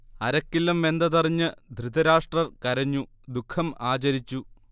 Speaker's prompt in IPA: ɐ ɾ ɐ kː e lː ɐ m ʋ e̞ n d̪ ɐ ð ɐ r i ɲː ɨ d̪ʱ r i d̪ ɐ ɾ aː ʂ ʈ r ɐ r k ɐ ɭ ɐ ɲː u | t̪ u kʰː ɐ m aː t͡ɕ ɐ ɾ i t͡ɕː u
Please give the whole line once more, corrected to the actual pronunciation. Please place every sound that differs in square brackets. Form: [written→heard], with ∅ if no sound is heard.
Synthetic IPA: ɐ ɾ ɐ kː [e→i] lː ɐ m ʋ e̞ n d̪ ɐ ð ɐ r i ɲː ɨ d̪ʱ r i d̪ ɐ ɾ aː ʂ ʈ r ɐ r k ɐ [ɭ→ɾ] ɐ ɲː u | [t̪→d̪] u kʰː ɐ m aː t͡ɕ ɐ ɾ i t͡ɕː u

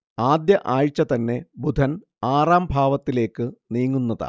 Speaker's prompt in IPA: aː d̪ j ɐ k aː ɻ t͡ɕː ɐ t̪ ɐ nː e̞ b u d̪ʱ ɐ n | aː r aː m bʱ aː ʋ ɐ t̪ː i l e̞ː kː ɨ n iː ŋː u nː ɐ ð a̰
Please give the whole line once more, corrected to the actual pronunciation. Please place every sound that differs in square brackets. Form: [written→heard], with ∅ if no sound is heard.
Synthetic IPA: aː d̪ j ɐ [k→ʔ] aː ɻ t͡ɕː ɐ t̪ ɐ nː e̞ b u d̪ʱ ɐ n | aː r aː m bʱ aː ʋ ɐ t̪ː i l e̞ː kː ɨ n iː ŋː u nː ɐ ð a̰

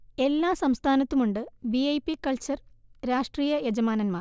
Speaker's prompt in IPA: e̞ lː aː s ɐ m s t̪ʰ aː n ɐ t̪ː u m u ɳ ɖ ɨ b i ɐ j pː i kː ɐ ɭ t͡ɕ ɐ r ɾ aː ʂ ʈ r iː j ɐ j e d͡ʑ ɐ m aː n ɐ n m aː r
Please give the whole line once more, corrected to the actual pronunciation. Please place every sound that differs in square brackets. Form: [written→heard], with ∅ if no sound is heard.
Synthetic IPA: e̞ lː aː s ɐ m s t̪ʰ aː n ɐ t̪ː u m u ɳ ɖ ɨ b i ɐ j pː i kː ɐ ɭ t͡ɕ ɐ r ɾ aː ʂ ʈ r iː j ɐ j e d͡ʑ ɐ m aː n ɐ n m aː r

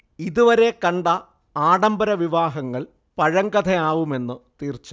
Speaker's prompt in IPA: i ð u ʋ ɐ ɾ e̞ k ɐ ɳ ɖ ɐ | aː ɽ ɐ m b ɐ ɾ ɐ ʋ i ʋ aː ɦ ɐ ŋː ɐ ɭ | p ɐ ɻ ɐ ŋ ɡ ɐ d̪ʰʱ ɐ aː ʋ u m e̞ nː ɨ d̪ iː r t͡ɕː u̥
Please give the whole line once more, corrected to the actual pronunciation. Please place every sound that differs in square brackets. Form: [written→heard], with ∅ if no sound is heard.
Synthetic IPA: i ð u ʋ ɐ ɾ e̞ k ɐ ɳ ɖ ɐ | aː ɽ ɐ m b ɐ ɾ ɐ ʋ i ʋ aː ɦ ɐ ŋː ɐ ɭ | p ɐ ɻ ɐ ŋ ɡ ɐ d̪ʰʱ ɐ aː ʋ u m e̞ nː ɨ [d̪→t̪] iː r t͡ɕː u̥

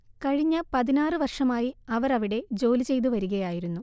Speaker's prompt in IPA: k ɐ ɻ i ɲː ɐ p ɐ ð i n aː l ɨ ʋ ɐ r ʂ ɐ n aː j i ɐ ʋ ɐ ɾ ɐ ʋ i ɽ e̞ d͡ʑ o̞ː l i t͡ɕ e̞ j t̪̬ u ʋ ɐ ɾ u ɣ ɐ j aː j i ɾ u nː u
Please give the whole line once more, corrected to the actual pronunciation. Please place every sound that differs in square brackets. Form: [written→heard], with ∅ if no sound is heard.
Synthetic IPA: k ɐ ɻ i ɲː ɐ p ɐ ð i n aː [l→r] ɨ ʋ ɐ r ʂ ɐ [n→m] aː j i ɐ ʋ ɐ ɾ ɐ ʋ i ɽ e̞ d͡ʑ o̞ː l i t͡ɕ e̞ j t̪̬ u ʋ ɐ ɾ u ɣ ɐ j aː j i ɾ u nː u

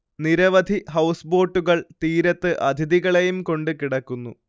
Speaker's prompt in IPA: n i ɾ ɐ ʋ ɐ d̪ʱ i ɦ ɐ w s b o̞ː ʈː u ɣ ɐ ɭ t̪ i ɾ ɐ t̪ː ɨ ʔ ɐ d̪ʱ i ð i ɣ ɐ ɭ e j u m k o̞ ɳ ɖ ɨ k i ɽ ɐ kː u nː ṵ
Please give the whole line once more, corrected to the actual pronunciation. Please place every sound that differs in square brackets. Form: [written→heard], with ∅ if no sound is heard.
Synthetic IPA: n i ɾ ɐ ʋ ɐ d̪ʱ i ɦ ɐ w s b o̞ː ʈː u ɣ ɐ ɭ t̪ [i→iː] ɾ ɐ t̪ː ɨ ʔ ɐ d̪ʱ i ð i ɣ ɐ ɭ e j u m k o̞ ɳ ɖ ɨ k i ɽ ɐ kː u nː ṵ

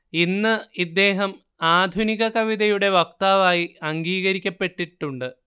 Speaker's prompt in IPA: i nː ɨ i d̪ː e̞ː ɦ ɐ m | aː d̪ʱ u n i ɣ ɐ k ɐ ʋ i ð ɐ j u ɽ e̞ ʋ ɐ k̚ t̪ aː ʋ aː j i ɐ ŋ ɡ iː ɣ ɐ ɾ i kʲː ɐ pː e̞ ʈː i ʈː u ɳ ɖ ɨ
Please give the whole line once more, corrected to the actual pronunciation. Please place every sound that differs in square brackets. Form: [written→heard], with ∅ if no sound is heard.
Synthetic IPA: i nː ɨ i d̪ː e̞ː ɦ ɐ m | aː d̪ʱ u n i ɣ ɐ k ɐ ʋ i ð ɐ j u ɽ e̞ ʋ ɐ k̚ t̪ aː ʋ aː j i ɐ ŋ ɡ iː ɣ ɐ ɾ i kʲː ɐ pː e̞ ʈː i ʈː u ɳ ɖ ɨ

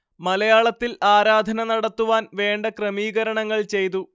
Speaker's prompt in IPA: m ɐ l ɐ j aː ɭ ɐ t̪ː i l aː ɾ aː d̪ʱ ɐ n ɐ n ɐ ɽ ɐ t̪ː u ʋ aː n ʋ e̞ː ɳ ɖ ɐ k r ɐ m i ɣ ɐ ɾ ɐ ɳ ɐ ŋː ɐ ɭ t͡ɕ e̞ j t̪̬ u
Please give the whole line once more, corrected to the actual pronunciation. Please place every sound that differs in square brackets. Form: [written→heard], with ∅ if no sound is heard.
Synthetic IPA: m ɐ l ɐ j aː ɭ ɐ t̪ː i l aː ɾ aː d̪ʱ ɐ n ɐ n ɐ ɽ ɐ t̪ː u ʋ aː n ʋ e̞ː ɳ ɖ ɐ k r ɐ m [i→iː] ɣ ɐ ɾ ɐ ɳ ɐ ŋː ɐ ɭ t͡ɕ e̞ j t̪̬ u

